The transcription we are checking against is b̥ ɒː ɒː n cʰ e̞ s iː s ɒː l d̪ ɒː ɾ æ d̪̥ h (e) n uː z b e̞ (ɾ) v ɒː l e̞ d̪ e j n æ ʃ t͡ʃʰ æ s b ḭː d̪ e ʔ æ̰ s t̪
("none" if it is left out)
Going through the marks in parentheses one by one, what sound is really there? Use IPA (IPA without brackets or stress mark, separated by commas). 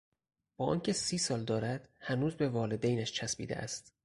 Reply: æ, none